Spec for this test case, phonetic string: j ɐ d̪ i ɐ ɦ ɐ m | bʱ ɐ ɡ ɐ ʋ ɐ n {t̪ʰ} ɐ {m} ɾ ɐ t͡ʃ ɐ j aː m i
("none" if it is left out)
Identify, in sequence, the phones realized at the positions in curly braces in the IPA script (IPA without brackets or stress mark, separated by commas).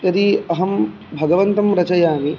t̪, m